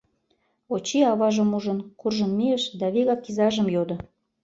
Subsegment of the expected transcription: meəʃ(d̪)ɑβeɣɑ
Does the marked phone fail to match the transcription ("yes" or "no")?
no